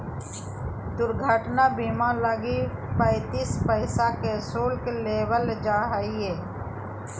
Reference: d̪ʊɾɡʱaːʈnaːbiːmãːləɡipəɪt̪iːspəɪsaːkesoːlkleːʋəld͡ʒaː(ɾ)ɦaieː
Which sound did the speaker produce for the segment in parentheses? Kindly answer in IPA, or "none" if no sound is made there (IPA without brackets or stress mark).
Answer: none